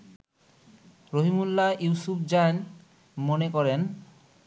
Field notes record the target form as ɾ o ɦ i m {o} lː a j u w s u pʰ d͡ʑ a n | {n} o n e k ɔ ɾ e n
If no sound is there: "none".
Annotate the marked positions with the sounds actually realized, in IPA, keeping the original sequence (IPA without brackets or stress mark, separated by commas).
u, m